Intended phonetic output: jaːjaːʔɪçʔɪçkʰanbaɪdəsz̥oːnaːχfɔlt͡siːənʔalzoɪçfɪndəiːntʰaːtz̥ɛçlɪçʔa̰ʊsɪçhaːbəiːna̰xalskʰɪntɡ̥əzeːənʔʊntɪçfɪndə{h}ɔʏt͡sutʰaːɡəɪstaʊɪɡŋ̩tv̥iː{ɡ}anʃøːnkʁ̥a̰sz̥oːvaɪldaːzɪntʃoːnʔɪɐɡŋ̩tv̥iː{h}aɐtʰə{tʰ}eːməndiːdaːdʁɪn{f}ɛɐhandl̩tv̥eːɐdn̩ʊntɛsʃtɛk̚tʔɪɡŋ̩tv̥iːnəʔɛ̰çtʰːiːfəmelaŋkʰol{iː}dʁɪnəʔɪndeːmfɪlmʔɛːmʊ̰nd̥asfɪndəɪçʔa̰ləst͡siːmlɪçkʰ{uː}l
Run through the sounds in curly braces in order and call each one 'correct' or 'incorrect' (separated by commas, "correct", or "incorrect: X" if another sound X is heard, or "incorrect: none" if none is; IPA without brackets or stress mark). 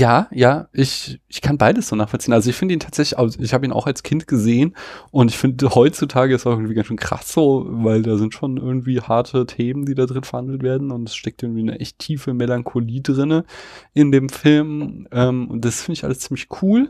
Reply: correct, correct, correct, correct, correct, correct, correct